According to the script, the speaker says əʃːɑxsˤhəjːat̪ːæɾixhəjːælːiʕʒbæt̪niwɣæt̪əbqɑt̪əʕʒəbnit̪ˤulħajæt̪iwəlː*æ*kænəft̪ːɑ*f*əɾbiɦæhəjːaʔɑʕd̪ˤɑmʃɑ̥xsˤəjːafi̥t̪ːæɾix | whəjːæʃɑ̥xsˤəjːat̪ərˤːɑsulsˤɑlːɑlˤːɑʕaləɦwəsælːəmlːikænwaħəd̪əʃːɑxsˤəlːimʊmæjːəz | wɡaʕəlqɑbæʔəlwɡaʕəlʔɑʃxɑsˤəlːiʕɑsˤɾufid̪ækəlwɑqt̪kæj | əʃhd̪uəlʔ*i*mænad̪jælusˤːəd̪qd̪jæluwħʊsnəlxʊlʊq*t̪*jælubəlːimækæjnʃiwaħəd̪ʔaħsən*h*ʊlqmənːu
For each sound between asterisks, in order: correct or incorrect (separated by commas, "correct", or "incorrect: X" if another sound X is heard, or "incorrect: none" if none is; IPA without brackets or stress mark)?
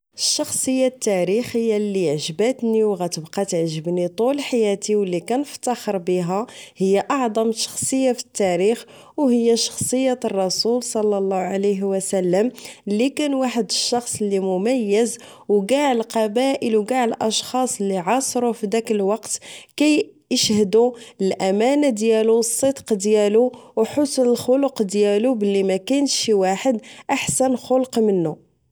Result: incorrect: i, incorrect: x, incorrect: æ, incorrect: d̪, incorrect: x